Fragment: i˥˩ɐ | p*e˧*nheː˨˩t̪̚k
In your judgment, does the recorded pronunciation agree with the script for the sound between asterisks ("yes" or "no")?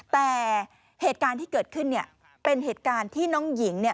yes